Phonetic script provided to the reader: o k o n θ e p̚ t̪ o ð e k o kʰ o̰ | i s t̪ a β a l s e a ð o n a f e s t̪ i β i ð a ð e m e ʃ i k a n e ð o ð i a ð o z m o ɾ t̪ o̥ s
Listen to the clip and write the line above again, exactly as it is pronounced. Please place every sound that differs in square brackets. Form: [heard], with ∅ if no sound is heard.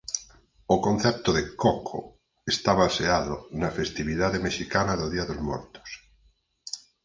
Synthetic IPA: o k o n θ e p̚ t̪ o ð e k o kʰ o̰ | [e] s t̪ a β a l s e a ð o n a f e s t̪ i β i ð a ð e m e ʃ i k a n [a] ð o ð i a ð o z m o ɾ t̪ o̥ s